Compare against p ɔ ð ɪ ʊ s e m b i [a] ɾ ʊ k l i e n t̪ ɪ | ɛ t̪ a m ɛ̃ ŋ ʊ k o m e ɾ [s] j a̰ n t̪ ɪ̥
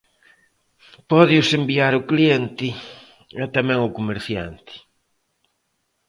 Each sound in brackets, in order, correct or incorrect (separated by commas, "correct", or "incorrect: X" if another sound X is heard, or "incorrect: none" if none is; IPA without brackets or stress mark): correct, incorrect: θ